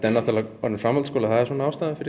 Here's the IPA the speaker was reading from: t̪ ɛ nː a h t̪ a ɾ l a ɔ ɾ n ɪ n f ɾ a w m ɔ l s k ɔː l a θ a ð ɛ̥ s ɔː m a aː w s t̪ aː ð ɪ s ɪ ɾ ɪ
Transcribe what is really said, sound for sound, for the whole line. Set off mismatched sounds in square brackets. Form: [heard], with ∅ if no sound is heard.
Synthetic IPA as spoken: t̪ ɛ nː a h t̪ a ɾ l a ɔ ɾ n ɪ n f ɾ a [∅] m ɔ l s k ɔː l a θ a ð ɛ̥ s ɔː [n] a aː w s t̪ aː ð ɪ [f] ɪ ɾ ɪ